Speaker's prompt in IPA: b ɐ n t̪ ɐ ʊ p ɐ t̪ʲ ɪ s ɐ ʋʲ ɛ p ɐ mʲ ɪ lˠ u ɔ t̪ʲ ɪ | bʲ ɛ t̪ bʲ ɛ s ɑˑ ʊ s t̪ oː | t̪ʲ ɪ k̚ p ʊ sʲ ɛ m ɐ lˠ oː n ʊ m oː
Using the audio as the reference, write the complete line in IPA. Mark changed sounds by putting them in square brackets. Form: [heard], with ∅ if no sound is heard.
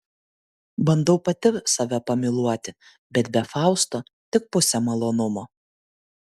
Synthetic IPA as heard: b ɐ n [d̪] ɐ ʊ p ɐ t̪ʲ ɪ s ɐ ʋʲ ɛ p ɐ mʲ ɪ lˠ u ɔ t̪ʲ ɪ | bʲ ɛ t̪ bʲ ɛ [f] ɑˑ ʊ s t̪ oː | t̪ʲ ɪ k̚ p ʊ sʲ ɛ m ɐ lˠ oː n ʊ m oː